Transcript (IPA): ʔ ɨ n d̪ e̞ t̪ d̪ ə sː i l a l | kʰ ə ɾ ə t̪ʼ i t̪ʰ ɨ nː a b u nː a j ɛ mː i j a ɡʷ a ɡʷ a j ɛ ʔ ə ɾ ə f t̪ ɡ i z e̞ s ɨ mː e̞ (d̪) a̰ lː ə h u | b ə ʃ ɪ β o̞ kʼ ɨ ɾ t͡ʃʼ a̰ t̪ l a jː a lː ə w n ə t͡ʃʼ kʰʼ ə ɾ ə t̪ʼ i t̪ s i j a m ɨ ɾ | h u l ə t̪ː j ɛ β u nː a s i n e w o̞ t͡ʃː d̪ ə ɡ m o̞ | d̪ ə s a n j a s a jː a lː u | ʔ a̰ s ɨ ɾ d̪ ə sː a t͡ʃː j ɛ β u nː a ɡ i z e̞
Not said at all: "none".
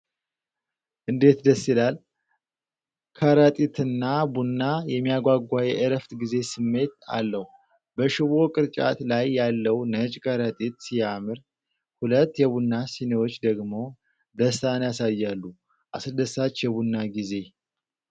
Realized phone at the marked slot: t̪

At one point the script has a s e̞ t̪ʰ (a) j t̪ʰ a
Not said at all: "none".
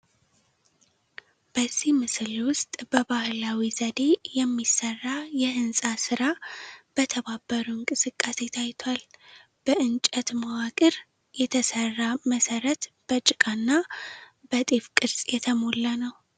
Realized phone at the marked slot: a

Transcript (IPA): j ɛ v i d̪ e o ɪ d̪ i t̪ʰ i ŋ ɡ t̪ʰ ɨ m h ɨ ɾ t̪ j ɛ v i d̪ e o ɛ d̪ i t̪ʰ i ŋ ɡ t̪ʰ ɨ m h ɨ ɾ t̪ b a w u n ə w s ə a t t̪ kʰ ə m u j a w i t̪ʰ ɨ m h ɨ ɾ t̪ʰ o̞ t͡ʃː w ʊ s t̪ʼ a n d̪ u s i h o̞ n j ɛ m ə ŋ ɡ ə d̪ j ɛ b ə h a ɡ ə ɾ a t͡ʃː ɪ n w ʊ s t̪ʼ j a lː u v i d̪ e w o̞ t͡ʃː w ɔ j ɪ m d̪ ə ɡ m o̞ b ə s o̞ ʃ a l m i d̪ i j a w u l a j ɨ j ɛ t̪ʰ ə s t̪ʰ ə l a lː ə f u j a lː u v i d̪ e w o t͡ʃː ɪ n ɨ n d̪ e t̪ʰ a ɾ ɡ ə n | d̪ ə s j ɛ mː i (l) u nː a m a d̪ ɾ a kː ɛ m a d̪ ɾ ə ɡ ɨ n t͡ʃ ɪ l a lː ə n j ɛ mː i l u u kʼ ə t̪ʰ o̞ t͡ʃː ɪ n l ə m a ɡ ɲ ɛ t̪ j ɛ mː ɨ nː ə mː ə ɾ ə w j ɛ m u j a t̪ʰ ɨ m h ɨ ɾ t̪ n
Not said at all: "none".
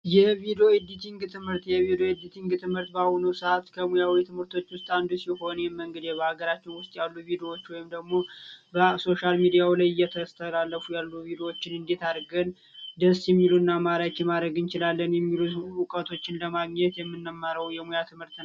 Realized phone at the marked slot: l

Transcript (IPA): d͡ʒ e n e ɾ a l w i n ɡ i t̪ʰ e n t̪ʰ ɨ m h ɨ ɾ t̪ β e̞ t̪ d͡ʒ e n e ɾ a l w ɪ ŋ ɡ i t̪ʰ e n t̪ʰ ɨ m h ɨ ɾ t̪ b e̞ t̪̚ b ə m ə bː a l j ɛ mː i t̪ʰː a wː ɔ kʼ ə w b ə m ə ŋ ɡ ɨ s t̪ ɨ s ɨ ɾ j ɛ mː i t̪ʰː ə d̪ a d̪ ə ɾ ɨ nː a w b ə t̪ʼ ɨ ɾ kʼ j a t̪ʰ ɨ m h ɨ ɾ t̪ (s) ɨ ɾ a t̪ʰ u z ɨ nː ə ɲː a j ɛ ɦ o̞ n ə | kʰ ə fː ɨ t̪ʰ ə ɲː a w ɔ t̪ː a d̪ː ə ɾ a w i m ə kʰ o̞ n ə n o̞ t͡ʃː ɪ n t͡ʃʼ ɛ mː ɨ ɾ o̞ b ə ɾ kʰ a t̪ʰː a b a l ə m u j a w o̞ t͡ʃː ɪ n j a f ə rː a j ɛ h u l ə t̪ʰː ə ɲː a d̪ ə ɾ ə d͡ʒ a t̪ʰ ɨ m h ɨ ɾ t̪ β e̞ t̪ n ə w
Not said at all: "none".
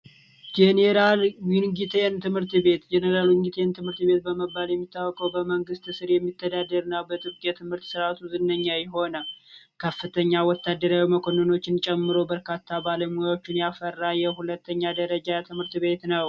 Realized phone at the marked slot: s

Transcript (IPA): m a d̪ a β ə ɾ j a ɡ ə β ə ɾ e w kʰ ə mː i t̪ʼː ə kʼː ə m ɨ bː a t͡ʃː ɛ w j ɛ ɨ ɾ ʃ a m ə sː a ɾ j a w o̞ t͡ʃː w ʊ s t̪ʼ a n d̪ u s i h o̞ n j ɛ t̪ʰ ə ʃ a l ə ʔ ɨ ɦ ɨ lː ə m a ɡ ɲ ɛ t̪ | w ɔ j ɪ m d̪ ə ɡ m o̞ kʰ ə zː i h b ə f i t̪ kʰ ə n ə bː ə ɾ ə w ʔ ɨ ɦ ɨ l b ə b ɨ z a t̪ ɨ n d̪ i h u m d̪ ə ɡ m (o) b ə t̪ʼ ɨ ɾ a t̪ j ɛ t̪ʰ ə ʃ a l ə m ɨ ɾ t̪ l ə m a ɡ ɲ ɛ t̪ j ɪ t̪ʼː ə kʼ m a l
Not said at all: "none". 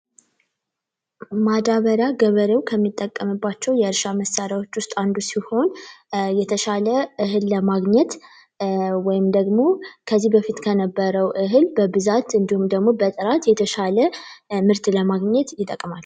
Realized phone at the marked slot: o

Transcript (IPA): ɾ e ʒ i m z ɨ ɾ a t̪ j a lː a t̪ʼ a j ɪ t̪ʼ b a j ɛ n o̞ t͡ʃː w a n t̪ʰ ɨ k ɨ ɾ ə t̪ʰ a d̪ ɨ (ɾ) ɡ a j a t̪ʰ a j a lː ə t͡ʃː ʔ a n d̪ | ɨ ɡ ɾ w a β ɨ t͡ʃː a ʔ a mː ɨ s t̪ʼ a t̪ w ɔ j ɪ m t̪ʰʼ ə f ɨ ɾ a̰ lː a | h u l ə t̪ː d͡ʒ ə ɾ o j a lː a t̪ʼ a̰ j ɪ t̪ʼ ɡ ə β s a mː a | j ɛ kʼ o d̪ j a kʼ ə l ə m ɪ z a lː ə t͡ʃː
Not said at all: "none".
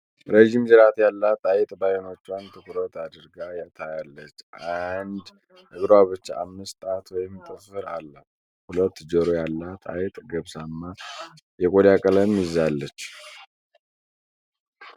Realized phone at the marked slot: ɾ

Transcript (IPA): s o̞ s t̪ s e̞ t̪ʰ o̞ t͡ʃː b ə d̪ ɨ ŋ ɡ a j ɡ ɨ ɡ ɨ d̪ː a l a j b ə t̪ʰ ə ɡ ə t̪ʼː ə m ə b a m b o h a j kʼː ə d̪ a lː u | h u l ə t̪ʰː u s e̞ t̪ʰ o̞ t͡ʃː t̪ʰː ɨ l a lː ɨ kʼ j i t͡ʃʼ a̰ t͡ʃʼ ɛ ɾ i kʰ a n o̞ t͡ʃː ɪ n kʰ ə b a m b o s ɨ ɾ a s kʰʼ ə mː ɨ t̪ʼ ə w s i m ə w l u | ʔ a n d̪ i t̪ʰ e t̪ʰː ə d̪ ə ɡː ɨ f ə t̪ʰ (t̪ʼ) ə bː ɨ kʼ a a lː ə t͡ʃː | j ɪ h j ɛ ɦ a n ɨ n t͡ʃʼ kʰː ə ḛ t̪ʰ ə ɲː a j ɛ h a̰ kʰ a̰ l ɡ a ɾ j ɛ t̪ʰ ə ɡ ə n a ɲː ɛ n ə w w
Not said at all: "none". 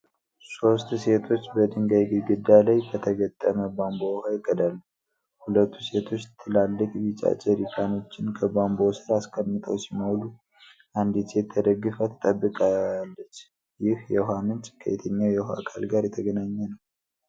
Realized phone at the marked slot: t̪ʼ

